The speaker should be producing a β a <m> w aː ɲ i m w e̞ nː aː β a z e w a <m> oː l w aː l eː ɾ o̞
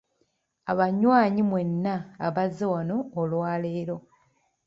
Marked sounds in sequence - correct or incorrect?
incorrect, incorrect

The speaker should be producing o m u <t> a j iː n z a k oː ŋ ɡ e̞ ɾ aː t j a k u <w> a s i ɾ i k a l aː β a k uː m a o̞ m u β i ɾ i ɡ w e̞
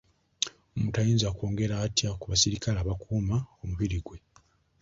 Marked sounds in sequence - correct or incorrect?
correct, incorrect

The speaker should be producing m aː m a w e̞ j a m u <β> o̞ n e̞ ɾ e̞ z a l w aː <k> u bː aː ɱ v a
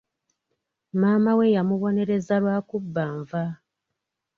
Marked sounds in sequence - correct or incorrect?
correct, correct

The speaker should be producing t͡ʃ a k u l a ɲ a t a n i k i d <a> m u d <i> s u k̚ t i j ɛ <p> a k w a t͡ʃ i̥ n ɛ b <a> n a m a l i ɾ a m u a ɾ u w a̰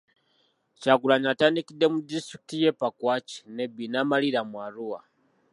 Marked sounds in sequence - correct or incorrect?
incorrect, correct, correct, incorrect

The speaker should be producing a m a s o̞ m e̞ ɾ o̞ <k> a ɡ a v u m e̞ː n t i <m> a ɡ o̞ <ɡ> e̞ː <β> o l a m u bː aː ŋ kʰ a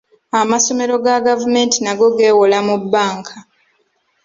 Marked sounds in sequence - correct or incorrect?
incorrect, incorrect, correct, incorrect

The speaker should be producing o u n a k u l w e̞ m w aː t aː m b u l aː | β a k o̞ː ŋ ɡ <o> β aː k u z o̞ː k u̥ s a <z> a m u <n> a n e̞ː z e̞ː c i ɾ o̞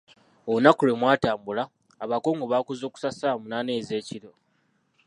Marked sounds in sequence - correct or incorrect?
correct, incorrect, correct

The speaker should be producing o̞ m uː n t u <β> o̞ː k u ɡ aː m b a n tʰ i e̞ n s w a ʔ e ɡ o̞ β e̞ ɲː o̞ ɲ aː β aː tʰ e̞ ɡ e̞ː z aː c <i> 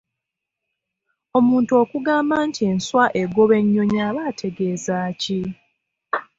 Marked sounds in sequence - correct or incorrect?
incorrect, correct

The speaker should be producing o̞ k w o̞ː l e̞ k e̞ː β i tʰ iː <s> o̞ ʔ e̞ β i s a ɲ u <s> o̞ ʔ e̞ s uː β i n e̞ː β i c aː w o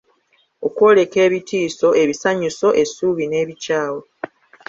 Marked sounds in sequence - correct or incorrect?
correct, correct

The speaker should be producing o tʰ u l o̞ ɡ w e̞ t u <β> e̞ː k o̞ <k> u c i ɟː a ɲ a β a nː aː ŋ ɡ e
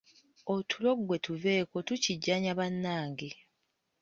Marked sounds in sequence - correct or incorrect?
incorrect, incorrect

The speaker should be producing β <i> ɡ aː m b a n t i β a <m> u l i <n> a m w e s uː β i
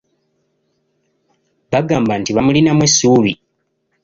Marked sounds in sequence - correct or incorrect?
incorrect, correct, correct

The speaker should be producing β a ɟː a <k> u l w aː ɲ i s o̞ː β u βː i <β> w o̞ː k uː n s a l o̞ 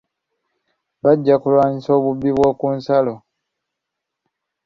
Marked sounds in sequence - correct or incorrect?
correct, correct

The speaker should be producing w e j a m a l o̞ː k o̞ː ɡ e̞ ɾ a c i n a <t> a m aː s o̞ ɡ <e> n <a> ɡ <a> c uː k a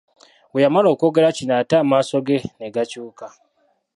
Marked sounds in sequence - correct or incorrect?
correct, correct, incorrect, correct

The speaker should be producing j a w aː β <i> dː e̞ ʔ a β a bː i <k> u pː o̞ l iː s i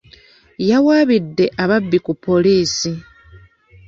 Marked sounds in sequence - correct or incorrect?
correct, correct

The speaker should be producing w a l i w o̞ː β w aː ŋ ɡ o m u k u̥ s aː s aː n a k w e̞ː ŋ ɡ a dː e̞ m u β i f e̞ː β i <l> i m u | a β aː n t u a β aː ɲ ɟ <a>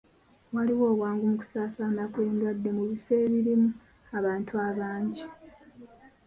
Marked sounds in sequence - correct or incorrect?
incorrect, incorrect

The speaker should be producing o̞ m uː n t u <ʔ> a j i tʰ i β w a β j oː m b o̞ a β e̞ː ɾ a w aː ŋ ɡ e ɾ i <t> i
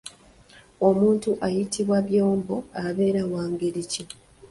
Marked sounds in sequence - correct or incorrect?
correct, incorrect

